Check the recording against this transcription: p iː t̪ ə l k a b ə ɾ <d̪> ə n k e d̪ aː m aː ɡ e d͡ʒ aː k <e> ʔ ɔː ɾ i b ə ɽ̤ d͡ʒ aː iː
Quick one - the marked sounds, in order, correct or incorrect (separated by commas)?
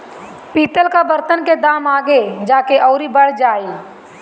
incorrect, correct